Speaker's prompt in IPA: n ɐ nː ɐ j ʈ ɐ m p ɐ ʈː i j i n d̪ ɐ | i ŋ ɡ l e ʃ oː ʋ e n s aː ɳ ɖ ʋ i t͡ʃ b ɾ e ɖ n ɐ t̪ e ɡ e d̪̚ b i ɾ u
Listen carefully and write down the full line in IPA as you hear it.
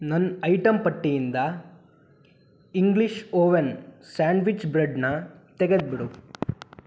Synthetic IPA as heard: n ɐ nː ɐ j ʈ ɐ m p ɐ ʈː i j i n d̪ ɐ | i ŋ ɡ l i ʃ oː ʋ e n s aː ɳ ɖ ʋ i t͡ʃ b ɾ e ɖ n ɐ t̪ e ɡ e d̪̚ b i ɽ u